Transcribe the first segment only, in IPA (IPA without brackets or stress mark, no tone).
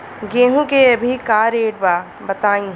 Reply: ɡ